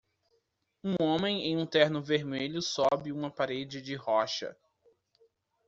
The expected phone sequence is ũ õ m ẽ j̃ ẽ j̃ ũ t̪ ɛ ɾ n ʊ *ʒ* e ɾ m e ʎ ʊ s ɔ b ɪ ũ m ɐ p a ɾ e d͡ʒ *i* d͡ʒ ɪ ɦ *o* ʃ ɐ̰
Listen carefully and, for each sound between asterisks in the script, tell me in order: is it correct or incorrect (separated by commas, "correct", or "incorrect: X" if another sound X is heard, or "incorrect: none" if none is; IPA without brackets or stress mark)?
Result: incorrect: v, incorrect: ɪ, incorrect: ɔ